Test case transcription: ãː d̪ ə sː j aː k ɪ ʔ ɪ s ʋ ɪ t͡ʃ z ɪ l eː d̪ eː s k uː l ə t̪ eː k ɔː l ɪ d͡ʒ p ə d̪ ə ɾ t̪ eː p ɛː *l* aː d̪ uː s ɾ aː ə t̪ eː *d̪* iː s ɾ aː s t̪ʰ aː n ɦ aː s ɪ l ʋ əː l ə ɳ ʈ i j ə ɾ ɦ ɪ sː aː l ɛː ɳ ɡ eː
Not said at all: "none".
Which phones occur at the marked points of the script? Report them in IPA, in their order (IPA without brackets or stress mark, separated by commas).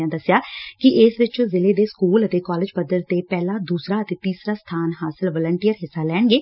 l, t̪